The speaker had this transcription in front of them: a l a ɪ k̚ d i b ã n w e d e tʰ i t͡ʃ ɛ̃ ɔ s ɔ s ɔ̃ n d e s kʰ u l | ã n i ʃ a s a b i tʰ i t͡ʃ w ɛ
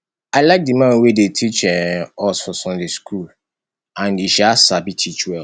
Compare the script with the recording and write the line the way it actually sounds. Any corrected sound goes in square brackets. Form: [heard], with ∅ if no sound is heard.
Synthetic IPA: a l a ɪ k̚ d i [m] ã n w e d e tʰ i t͡ʃ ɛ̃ ɔ s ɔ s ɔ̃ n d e s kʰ u l | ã n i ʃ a s a b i tʰ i t͡ʃ w ɛ